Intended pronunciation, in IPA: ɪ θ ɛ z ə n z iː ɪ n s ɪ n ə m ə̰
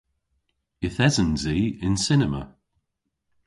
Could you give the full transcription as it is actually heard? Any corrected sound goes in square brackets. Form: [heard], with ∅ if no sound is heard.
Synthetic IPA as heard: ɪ θ ɛ z ə n z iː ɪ n s ɪ n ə m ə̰